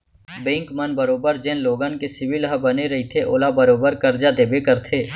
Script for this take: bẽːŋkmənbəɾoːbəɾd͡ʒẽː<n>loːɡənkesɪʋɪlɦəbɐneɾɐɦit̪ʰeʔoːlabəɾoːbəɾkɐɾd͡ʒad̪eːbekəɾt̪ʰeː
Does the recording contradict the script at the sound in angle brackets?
no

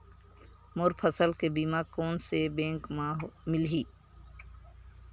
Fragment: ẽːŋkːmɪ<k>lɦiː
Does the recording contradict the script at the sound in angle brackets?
yes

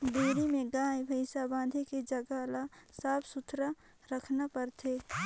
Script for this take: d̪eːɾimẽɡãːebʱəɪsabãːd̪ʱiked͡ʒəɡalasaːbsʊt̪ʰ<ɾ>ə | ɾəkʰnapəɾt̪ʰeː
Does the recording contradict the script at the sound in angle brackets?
no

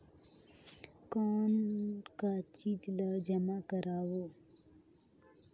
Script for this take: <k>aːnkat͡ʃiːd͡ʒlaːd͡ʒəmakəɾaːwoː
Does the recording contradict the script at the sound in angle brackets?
no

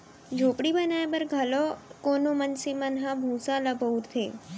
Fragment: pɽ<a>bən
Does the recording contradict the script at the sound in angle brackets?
yes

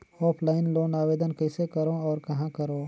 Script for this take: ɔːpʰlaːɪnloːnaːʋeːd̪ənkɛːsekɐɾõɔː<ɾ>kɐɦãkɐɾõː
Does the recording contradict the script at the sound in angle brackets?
no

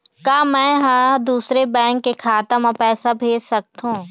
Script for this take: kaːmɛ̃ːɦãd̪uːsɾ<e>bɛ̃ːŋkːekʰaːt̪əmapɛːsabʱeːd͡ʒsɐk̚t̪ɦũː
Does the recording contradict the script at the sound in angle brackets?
no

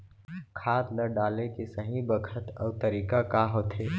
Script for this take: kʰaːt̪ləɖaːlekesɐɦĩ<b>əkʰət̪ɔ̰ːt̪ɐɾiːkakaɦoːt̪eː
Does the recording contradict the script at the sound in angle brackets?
no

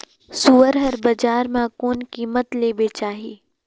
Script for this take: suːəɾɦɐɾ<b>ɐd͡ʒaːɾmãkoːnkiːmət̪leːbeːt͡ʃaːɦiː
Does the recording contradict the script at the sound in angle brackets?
no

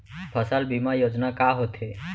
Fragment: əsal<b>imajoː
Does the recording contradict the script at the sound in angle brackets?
no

